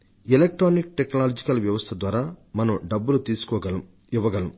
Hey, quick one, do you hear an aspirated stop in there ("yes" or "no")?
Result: yes